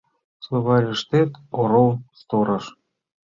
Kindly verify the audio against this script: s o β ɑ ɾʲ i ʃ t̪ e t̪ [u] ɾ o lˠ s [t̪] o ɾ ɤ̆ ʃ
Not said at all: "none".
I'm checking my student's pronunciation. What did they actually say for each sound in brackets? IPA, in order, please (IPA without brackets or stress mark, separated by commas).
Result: o, t̪